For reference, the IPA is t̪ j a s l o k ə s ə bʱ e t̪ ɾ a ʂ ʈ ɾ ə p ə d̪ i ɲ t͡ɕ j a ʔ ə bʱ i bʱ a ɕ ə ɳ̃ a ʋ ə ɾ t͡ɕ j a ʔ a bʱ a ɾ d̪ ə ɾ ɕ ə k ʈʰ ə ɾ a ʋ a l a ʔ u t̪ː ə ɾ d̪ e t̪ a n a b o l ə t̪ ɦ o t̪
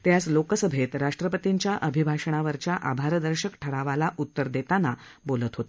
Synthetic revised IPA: t̪ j a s l o k ə s ə bʱ e t̪ ɾ a ʂ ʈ ɾ ə p ə t̪ i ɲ t͡ɕ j a ʔ ə bʱ i bʱ a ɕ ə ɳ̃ a ʋ ə ɾ t͡ɕ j a ʔ a bʱ a ɾ d̪ ə ɾ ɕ ə k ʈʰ ə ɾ a ʋ a l a ʔ u t̪ː ə ɾ d̪ e t̪ a n a b o l ə t̪ ɦ o t̪